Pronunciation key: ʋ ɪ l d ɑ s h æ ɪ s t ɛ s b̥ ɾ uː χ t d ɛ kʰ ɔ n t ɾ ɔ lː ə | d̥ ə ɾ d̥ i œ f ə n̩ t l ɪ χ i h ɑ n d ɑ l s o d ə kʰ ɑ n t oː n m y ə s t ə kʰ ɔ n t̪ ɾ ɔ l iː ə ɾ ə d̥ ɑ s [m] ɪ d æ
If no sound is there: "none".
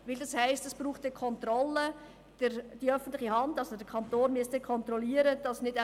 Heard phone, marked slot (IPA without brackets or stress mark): n